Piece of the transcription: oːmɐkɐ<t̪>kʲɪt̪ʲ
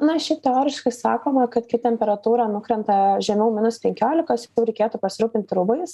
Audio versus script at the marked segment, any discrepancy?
no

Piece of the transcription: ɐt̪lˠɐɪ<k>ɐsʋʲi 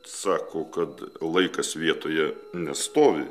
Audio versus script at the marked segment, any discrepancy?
no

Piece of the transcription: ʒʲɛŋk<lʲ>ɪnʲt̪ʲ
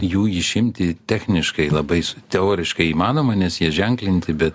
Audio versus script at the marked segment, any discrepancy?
no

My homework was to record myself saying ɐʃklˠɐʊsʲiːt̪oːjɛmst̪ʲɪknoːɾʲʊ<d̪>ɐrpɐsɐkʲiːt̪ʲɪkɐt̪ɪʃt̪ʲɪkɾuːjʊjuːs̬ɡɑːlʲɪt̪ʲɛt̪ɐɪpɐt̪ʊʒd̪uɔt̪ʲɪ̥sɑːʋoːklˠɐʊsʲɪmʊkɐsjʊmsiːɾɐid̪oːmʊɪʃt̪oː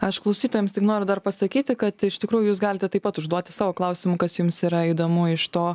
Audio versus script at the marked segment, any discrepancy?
no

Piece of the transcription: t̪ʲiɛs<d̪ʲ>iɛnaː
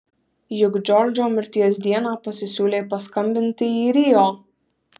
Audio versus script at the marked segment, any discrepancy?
no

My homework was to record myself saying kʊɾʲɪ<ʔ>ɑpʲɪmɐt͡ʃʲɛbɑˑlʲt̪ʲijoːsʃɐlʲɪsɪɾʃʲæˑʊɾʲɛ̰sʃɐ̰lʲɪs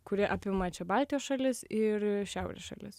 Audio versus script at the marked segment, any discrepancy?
no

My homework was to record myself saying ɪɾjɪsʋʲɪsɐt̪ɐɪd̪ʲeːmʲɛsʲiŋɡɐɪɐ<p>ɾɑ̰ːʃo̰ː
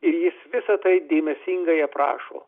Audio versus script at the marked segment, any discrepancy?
no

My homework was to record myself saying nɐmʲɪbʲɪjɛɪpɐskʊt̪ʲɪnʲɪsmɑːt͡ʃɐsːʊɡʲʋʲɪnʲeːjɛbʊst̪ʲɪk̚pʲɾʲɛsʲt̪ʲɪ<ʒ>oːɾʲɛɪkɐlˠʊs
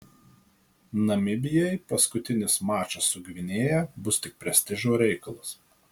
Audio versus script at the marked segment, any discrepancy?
no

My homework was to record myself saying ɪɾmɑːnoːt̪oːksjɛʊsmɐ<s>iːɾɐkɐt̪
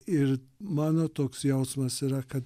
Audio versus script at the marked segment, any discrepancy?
no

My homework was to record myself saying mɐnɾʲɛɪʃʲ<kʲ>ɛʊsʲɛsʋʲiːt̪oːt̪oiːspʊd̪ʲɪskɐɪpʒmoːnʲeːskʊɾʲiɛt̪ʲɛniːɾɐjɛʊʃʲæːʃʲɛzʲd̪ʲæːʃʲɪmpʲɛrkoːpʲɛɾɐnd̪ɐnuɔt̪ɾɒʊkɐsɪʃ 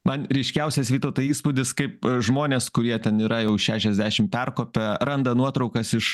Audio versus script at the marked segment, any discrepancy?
no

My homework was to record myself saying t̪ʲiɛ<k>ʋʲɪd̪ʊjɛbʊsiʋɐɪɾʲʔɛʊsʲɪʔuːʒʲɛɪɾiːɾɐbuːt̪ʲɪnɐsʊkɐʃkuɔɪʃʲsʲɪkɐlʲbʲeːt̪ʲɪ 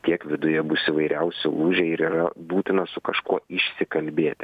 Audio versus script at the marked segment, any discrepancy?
no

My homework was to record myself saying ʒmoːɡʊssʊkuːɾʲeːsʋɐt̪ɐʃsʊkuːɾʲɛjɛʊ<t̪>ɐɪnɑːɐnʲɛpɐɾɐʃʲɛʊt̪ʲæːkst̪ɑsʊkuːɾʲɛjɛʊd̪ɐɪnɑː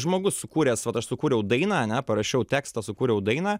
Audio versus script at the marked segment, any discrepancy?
yes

